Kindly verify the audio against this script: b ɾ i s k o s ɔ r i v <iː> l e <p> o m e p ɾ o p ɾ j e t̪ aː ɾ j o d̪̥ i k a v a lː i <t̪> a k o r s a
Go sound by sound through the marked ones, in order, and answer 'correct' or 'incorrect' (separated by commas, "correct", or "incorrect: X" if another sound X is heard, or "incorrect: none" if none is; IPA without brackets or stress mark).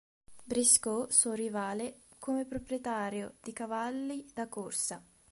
incorrect: aː, incorrect: k, incorrect: d̪